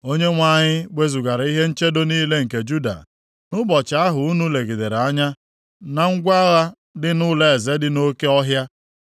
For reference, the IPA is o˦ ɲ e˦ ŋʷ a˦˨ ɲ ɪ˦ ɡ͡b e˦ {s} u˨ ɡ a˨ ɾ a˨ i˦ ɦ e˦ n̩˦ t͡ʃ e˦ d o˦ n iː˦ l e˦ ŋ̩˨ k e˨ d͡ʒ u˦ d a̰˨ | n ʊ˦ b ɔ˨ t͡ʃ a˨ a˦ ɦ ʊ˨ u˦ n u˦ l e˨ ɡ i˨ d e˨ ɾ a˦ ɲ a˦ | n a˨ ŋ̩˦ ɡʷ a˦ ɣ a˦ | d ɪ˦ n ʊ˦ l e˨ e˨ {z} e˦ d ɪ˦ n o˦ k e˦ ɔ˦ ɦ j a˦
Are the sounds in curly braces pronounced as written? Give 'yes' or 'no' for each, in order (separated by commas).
no, yes